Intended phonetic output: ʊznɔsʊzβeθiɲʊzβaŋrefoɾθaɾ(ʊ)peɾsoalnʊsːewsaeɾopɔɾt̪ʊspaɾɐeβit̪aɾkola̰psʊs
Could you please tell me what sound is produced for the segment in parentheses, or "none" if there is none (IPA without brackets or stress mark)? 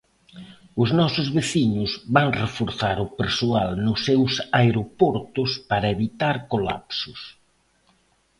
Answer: ʊ